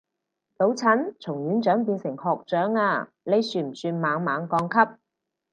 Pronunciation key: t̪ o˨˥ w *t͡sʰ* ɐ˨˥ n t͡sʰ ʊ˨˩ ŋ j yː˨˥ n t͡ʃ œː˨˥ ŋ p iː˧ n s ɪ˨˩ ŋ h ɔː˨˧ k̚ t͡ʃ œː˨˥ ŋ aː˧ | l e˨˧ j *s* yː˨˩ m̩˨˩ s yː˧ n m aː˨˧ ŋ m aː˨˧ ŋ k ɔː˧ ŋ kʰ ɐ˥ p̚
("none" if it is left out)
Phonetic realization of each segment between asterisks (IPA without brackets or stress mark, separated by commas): t͡sʰ, s